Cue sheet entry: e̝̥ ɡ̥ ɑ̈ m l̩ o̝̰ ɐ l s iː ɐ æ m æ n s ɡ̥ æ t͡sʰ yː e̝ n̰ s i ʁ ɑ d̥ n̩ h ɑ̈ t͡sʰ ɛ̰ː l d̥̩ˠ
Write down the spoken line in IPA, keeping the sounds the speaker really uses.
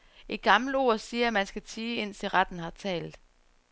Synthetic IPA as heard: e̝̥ ɡ̥ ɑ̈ m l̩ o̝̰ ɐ s iː ɐ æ m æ n s ɡ̥ æ t͡sʰ iː e̝ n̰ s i ʁ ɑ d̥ n̩ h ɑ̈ t͡sʰ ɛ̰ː l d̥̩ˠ

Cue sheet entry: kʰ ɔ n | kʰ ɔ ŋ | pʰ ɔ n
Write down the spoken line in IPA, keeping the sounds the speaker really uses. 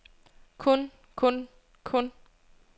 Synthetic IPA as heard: kʰ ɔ n | kʰ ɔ n | kʰ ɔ n

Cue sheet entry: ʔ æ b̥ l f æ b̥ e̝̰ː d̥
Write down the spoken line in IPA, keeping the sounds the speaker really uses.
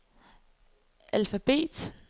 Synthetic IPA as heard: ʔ æ l f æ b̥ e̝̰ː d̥

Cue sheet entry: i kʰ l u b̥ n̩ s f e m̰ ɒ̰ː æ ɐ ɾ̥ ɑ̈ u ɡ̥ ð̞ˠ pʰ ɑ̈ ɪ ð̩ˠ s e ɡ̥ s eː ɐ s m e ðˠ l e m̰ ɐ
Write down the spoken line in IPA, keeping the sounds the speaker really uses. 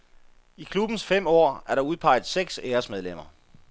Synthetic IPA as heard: i kʰ l u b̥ n̩ s f e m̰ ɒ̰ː æ ɐ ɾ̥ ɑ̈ u ð̞ˠ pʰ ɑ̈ ɪ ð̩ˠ s e ɡ̥ s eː ɐ s m e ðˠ l e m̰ ɐ

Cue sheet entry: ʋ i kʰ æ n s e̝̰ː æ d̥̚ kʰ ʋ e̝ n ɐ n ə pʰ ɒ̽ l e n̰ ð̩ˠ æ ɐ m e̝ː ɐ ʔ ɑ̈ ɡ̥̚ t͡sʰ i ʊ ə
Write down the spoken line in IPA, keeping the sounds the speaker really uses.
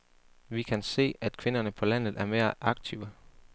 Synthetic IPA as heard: ʋ i kʰ æ n s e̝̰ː æ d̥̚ kʰ ʋ e̝ n ɐ n ə pʰ ɒ̽ l æ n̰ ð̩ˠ æ ɐ m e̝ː ɐ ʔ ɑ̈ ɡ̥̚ t͡sʰ i ʊ ə

